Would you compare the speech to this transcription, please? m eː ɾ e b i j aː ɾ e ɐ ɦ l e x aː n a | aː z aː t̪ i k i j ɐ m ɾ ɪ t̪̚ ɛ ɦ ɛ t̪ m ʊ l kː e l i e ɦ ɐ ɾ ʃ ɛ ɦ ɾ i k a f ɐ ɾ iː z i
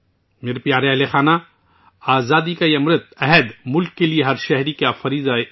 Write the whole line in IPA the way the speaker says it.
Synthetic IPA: m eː ɾ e p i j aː ɾ e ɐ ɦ l e x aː n a | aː z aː d̪ i k a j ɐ m ɾ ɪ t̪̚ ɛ ɦ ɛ d̪ m ʊ l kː e l i e ɦ ɐ ɾ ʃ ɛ ɦ ɾ i k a f ɐ ɾ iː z a